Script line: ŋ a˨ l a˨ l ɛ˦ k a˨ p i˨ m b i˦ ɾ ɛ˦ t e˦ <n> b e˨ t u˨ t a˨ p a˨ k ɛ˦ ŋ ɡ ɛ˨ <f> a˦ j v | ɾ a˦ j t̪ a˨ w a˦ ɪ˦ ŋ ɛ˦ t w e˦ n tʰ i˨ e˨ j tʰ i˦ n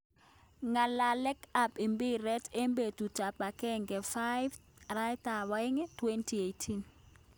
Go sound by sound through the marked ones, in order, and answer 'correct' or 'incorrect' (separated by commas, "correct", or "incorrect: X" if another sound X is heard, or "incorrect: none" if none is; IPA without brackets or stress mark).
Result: incorrect: m, correct